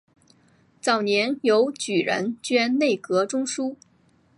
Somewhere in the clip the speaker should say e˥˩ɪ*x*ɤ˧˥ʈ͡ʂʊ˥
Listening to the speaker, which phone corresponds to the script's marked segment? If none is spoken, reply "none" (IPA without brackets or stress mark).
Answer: k